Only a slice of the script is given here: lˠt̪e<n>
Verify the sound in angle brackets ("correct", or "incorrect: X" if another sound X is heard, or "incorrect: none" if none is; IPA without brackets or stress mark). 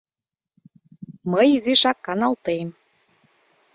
incorrect: m